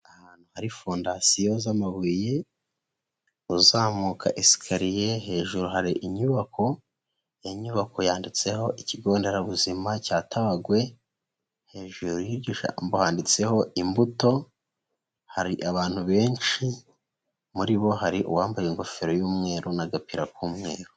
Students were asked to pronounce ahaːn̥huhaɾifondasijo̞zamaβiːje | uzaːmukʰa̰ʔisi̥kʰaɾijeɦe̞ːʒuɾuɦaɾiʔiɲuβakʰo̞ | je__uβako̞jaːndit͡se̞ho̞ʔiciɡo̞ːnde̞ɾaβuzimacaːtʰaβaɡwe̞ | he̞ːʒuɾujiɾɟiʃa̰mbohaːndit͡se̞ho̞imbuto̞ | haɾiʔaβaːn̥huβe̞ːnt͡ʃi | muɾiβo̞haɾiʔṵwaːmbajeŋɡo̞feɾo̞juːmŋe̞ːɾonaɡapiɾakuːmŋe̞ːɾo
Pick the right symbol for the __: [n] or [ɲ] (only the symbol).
ɲ